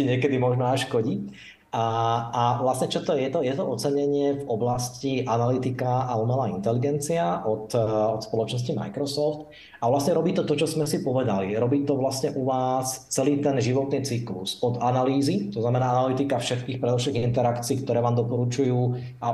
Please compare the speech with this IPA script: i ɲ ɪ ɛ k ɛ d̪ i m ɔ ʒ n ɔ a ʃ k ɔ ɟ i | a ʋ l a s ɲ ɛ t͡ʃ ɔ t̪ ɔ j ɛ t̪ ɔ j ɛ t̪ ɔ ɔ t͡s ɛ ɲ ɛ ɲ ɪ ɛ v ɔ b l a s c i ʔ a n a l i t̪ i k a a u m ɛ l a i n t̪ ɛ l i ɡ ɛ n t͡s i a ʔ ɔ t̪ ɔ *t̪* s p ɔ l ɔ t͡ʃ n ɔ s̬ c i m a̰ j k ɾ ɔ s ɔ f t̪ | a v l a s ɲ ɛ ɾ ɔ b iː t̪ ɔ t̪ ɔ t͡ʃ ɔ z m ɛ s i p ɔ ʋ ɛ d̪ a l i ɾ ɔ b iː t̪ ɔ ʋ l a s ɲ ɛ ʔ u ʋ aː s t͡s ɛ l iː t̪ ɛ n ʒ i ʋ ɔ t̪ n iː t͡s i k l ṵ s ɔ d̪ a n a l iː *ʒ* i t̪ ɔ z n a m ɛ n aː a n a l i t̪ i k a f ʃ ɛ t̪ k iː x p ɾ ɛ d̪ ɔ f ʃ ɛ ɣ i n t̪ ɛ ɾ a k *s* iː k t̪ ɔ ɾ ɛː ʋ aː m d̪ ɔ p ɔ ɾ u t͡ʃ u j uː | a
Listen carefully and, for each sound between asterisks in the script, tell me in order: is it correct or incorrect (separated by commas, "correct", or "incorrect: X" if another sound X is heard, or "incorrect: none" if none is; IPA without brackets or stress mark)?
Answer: correct, incorrect: z, incorrect: t͡s